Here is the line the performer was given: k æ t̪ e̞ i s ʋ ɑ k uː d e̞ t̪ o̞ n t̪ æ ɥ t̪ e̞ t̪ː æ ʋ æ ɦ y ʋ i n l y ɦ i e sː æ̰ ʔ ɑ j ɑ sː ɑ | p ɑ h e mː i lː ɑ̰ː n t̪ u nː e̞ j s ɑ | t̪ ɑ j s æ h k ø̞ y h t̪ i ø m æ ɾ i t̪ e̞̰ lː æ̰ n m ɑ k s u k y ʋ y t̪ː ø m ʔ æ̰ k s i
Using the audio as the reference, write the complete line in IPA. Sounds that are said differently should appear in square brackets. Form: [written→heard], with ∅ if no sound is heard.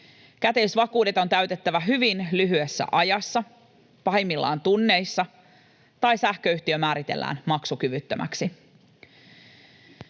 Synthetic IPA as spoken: k æ t̪ e̞ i s ʋ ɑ k uː d e̞ t̪ o̞ n t̪ æ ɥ t̪ e̞ t̪ː æ ʋ æ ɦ y ʋ i n l y ɦ [i→y] e sː æ̰ ʔ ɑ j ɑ sː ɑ | p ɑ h e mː i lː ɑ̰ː n t̪ u nː e̞ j [s→sː] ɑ | t̪ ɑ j s æ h k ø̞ y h t̪ i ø m [æ→æː] ɾ i t̪ e̞̰ lː [æ̰→æ̰ː] n m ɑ k s u k y ʋ y t̪ː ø m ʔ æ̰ k s i